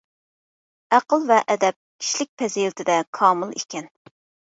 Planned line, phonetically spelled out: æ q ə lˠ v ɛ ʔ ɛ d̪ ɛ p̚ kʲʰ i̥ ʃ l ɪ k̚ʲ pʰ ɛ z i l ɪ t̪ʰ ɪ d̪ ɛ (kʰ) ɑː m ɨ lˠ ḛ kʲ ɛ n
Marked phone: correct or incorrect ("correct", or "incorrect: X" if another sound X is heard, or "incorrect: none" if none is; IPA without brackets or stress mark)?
correct